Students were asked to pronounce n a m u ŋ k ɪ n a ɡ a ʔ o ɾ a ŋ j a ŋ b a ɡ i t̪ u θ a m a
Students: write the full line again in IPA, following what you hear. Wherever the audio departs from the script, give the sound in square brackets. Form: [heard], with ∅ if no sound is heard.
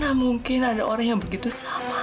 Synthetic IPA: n a m u ŋ k ɪ n a [d] a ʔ o ɾ a ŋ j a ŋ b [ə] ɡ i t̪ u [s] a m a